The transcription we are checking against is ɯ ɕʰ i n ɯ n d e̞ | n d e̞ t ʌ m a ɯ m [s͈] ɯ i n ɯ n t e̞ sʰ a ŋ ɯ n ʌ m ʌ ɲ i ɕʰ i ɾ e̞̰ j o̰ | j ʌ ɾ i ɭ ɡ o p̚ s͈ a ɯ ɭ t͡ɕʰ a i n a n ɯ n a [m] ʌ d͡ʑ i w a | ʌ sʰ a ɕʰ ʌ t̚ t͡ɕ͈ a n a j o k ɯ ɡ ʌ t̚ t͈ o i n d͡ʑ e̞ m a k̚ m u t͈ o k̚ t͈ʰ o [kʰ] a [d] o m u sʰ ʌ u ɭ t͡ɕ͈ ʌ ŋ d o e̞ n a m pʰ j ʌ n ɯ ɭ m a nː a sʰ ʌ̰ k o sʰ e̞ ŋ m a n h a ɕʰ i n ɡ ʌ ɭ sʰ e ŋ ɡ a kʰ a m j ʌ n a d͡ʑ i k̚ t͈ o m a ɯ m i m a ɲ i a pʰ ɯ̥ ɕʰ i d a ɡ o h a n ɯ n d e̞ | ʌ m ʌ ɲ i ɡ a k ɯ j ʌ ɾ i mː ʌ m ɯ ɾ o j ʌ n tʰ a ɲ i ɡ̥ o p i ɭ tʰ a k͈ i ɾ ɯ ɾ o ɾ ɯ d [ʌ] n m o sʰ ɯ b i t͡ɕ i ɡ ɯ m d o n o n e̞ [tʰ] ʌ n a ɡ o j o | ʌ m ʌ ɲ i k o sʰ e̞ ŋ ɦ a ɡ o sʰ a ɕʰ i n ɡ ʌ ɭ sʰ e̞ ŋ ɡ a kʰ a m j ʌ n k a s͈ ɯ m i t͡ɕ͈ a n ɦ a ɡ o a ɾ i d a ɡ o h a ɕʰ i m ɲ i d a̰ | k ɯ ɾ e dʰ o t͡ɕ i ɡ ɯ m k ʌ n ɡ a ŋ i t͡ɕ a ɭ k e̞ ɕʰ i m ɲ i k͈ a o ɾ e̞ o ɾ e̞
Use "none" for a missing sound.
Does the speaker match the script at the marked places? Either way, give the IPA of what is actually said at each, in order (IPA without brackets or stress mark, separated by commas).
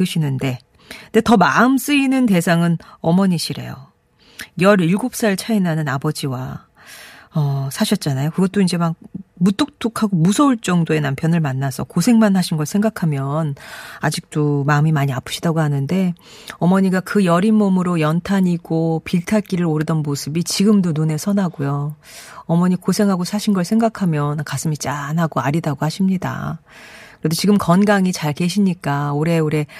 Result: s͈, b, kʰ, ɡ, ʌ, sʰ